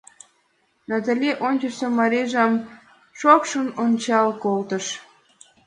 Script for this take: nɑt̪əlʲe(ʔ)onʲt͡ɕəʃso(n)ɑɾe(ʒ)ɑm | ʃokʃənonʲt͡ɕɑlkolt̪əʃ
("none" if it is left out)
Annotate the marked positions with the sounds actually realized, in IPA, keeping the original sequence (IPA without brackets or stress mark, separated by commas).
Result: ʔ, m, ʒ